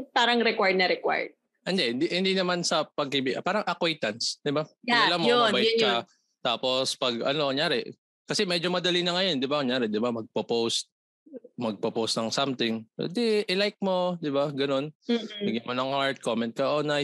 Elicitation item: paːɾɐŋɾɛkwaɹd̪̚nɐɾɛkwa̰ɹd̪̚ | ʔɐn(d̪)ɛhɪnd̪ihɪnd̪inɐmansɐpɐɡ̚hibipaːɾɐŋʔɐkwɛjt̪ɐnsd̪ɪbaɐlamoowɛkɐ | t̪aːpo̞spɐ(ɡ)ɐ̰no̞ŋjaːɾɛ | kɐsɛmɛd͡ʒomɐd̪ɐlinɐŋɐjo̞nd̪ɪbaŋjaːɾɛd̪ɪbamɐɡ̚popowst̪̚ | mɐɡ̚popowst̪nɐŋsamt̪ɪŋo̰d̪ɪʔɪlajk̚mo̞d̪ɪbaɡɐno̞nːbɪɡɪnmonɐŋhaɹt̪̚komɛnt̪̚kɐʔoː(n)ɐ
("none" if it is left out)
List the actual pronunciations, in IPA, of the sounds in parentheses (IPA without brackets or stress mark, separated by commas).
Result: d̪, ɡ, n